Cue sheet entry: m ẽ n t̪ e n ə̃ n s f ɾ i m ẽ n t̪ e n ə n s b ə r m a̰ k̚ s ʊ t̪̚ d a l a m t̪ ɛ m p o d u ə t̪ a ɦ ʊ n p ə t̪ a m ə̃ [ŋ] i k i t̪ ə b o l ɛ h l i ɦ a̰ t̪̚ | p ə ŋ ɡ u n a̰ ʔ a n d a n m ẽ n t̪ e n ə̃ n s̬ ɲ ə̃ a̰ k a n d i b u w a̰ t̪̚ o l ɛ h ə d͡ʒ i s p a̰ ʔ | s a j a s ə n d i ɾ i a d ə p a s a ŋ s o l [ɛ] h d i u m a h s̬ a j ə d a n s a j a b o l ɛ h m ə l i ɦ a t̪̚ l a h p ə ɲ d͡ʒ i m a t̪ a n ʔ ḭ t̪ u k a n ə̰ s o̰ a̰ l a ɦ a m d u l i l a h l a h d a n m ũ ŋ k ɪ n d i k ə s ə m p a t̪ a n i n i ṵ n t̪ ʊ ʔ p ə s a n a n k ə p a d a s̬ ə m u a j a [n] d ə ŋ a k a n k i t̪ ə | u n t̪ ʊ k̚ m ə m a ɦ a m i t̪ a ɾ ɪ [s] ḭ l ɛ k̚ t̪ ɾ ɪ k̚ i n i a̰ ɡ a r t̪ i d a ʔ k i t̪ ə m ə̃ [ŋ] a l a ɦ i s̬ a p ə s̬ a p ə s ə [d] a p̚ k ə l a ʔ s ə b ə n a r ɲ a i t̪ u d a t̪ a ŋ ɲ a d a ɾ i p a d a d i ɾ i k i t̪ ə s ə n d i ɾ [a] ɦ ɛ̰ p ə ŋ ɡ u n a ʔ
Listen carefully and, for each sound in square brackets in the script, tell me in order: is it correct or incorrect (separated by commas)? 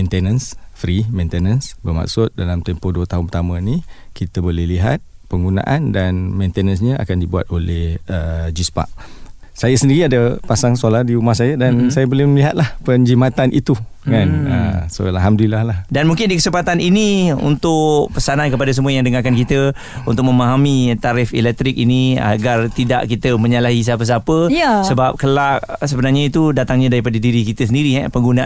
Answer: incorrect, incorrect, incorrect, incorrect, incorrect, incorrect, incorrect